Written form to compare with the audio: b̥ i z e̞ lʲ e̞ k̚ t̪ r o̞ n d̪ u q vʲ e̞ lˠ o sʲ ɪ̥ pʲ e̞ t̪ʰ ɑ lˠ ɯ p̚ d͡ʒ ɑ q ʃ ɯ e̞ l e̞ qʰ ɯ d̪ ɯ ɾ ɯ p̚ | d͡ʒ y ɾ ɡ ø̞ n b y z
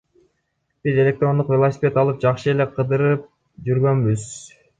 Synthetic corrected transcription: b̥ i z e̞ lʲ e̞ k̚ t̪ r o̞ n d̪ u q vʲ e̞ lˠ o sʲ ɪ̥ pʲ e̞ t̪ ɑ lˠ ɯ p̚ d͡ʒ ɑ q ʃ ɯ e̞ l e̞ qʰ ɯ d̪ ɯ ɾ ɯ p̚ | d͡ʒ y ɾ ɡ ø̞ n b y z